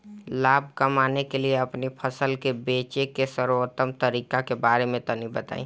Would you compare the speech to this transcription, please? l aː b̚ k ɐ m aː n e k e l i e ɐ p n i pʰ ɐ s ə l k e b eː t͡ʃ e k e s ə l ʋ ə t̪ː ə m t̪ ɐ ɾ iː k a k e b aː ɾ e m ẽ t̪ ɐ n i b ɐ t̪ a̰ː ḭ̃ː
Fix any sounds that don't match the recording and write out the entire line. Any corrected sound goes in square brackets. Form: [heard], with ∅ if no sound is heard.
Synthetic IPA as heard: l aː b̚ k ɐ m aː n e k e l i e ɐ p n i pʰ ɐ s ə l k e b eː t͡ʃ e k e s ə [ɾ] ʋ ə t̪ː ə m t̪ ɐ ɾ iː k a k e b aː ɾ e m ẽ t̪ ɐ n i b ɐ t̪ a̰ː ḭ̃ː